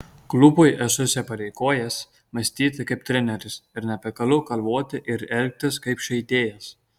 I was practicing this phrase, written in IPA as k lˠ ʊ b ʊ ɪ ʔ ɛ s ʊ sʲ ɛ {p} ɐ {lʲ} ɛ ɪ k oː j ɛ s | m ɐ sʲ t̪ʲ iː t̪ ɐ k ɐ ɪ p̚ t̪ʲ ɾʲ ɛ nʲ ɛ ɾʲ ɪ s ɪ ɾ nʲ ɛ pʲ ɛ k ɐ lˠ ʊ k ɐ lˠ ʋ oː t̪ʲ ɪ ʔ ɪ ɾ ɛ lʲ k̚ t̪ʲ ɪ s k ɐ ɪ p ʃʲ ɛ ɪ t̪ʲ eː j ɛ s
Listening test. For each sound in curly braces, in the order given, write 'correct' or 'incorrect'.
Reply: correct, incorrect: ɾʲ

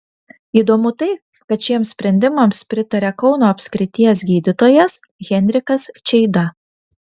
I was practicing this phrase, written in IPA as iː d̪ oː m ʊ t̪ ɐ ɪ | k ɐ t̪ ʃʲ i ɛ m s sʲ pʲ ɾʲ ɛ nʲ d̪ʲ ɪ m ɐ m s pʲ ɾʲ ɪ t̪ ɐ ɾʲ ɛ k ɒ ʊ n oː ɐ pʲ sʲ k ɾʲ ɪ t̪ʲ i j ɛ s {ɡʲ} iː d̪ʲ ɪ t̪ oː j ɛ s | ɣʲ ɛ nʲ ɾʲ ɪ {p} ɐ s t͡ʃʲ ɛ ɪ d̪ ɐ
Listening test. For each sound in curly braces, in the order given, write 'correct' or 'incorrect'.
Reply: correct, incorrect: k

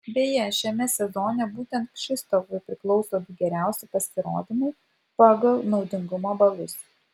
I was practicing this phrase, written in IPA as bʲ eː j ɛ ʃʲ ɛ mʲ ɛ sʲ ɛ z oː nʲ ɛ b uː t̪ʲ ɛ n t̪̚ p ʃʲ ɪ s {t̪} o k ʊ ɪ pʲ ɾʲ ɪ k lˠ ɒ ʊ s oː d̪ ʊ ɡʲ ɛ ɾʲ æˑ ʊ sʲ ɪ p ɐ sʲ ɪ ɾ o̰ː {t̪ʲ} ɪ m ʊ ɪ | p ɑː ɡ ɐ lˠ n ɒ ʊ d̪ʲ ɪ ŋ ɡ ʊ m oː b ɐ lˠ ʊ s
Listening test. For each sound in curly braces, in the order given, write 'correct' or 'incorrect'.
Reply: correct, incorrect: d̪ʲ

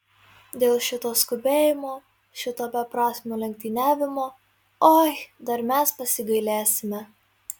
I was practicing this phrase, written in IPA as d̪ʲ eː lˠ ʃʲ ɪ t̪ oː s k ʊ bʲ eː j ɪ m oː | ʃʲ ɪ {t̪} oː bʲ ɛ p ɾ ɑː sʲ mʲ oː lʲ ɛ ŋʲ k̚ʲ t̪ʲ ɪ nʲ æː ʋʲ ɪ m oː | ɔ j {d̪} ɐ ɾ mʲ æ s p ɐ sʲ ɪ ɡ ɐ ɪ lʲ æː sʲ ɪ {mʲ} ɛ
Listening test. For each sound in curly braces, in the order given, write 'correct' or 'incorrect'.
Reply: correct, correct, correct

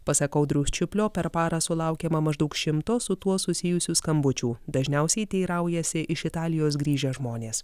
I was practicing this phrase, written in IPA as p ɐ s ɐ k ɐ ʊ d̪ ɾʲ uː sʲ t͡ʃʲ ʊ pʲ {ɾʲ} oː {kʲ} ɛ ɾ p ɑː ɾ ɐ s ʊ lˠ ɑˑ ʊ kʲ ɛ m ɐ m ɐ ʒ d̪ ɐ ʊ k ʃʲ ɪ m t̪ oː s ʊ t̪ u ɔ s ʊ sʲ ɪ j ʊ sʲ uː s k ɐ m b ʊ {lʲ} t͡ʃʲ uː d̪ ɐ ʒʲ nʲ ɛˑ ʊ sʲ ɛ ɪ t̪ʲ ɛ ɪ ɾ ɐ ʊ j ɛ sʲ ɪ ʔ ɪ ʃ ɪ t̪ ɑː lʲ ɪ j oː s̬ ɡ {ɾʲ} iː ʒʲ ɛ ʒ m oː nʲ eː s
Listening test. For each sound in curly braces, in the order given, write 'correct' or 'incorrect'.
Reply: incorrect: lʲ, incorrect: pʲ, incorrect: none, correct

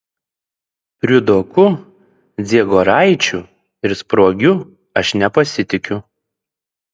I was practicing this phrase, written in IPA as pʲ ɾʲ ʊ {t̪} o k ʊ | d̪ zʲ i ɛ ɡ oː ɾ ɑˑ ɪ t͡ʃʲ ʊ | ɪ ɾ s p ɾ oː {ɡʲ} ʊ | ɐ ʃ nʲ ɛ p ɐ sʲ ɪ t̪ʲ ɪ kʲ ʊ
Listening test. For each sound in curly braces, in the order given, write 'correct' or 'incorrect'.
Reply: incorrect: d̪, correct

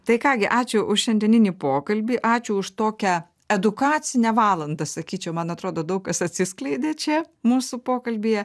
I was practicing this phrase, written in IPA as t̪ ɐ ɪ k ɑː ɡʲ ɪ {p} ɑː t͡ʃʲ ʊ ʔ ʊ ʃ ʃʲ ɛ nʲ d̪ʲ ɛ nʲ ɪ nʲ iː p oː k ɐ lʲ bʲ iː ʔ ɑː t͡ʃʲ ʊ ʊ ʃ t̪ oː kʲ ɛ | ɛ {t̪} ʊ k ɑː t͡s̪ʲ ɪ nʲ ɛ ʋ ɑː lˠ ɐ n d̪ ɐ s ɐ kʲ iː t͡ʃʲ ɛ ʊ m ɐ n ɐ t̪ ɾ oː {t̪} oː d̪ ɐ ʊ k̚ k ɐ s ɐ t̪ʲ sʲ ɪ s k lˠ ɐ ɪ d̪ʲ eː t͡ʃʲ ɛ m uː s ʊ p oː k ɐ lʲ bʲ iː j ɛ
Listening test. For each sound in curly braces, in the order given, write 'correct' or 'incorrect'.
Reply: incorrect: ʔ, incorrect: d̪, incorrect: d̪

